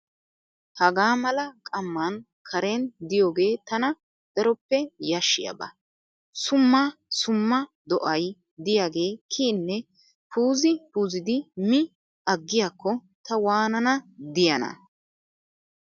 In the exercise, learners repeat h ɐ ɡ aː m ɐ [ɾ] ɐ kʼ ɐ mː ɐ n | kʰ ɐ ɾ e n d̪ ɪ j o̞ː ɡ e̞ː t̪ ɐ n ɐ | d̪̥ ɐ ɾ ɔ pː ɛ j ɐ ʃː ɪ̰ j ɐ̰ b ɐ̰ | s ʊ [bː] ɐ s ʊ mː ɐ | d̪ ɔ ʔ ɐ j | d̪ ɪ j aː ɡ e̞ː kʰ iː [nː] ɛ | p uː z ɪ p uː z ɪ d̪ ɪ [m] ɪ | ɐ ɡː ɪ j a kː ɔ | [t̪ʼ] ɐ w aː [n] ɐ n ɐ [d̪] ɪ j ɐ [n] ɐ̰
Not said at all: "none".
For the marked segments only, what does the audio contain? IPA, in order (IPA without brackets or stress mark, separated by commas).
l, mː, nː, m, t̪, n, d̪, n